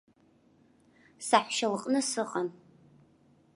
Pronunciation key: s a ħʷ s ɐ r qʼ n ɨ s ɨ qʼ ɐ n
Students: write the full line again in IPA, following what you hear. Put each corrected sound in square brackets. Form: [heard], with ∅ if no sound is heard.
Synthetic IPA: s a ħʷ [ʃ] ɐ [l] qʼ n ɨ s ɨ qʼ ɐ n